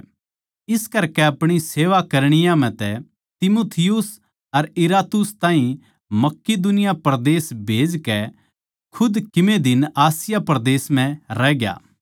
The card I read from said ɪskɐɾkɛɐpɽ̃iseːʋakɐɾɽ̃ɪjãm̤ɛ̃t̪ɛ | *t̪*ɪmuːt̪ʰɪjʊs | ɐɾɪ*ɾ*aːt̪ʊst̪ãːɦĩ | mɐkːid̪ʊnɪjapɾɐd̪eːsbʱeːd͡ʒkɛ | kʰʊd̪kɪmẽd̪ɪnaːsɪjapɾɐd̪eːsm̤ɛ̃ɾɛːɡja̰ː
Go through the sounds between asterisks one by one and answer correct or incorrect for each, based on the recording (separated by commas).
correct, correct